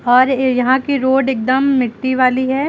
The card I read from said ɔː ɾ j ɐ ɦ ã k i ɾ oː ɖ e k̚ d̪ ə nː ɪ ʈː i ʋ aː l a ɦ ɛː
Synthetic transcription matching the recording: ɔː ɾ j ɐ ɦ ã k i ɾ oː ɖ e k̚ d̪ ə mː ɪ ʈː i ʋ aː l i ɦ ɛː